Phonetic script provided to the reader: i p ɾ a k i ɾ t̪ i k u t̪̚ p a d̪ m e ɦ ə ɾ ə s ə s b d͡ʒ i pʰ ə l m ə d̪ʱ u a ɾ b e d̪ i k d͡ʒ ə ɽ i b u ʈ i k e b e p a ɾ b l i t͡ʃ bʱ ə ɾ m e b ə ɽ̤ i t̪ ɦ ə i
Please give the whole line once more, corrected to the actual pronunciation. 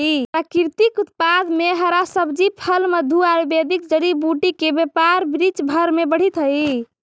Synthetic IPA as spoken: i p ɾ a k i ɾ t̪ i k u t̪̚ p a d̪ m e ɦ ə ɾ a s ə b d͡ʒ i pʰ ə l m ə d̪ʱ u a ɾ b e d̪ i k d͡ʒ ə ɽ i b u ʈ i k e b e p a ɾ b ɾ i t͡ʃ bʱ ə ɾ m e b ə ɽ̤ i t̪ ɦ ə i